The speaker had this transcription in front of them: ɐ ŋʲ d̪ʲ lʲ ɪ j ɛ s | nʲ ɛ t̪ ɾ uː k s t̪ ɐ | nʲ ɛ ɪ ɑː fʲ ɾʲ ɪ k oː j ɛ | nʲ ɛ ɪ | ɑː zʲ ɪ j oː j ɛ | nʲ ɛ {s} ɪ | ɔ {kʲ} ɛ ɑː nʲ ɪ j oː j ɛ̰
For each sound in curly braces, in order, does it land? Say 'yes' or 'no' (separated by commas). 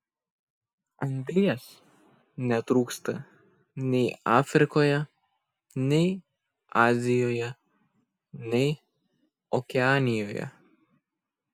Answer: no, yes